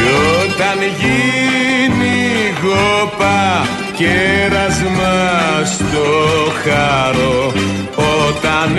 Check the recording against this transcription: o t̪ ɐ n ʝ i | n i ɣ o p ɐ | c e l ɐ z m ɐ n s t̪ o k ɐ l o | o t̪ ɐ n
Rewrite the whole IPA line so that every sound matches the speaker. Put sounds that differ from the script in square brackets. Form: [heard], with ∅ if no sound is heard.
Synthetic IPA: o t̪ ɐ n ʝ i | n i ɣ o p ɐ | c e [ɾ] ɐ z m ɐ [∅] s t̪ o [x] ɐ [ɾ] o | o t̪ ɐ n